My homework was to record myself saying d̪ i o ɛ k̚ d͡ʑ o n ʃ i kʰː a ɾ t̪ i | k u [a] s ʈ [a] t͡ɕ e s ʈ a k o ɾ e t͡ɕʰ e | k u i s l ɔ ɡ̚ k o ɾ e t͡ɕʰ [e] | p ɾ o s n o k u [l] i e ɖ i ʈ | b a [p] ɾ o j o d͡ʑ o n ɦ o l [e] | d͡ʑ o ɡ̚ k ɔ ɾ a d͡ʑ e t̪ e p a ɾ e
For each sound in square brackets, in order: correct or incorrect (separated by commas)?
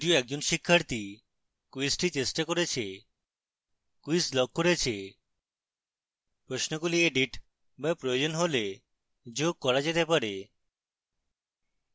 incorrect, incorrect, correct, correct, correct, correct